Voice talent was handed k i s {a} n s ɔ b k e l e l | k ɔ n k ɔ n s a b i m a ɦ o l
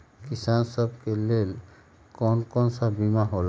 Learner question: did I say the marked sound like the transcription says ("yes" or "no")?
yes